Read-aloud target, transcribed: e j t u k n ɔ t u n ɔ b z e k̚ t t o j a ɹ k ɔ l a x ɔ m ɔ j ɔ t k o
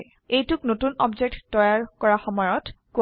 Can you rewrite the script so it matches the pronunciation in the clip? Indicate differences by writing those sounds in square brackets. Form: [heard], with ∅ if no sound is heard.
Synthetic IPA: e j t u k n [o] t u n ɔ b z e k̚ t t [ɔ] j a ɹ k ɔ [ɹ] a x ɔ m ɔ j ɔ t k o